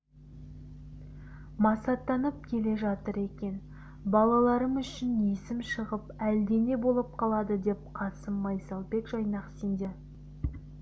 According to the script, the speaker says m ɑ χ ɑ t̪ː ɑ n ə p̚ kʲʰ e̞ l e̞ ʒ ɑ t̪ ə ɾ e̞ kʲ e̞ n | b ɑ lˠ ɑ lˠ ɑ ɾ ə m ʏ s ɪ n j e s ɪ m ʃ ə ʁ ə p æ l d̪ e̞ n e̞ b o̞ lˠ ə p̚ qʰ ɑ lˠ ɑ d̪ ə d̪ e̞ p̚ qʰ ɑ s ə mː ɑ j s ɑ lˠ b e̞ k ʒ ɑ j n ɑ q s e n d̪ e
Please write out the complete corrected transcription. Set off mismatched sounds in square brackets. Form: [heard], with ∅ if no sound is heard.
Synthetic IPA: m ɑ [s] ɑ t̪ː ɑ n ə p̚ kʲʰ e̞ l e̞ ʒ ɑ t̪ ə ɾ e̞ kʲ e̞ n | b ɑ lˠ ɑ lˠ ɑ ɾ ə m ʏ [ʃ] ɪ n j e s ɪ m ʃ ə ʁ ə p æ l d̪ e̞ n e̞ b o̞ lˠ ə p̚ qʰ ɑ lˠ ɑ d̪ ə d̪ e̞ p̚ qʰ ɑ s ə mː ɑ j s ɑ lˠ b e̞ k ʒ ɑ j n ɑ q s e n d̪ e